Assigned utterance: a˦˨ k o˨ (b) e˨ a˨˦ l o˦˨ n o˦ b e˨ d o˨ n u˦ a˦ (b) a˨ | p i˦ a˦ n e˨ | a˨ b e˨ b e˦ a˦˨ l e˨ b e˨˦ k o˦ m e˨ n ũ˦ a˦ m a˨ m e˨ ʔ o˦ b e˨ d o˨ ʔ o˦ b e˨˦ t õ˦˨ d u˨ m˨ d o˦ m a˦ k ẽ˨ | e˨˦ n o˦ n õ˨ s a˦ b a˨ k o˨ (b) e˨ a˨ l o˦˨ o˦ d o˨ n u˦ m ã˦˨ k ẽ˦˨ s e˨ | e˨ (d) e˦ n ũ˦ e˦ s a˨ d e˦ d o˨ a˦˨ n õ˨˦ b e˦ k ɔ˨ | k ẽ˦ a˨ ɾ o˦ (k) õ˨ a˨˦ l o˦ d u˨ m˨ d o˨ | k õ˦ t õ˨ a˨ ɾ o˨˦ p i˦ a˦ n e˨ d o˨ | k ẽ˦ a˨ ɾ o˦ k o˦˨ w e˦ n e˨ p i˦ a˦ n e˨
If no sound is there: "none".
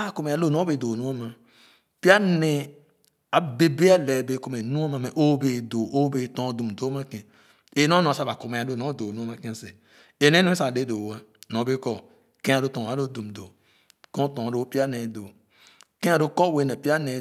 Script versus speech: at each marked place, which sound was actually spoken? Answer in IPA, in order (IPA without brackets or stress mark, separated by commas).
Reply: m, m, m, n, t